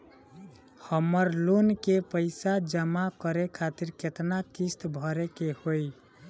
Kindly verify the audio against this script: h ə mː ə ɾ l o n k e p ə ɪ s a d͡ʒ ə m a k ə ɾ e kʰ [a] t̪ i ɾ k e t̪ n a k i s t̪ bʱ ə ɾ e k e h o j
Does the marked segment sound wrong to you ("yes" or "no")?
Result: no